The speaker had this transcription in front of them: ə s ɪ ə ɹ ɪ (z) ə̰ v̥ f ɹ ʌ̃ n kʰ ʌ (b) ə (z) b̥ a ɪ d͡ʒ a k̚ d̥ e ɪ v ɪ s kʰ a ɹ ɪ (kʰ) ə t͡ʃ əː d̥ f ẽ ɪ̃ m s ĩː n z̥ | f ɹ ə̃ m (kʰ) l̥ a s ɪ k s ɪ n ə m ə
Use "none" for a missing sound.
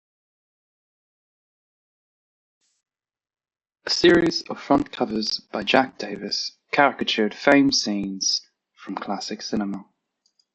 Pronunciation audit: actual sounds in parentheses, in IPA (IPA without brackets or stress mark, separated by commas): z, v, z, k, kʰ